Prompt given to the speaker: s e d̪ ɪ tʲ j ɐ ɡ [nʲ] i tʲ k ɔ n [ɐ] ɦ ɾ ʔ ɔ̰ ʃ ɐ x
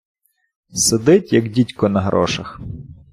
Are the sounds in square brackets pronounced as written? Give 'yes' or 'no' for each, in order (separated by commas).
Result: no, yes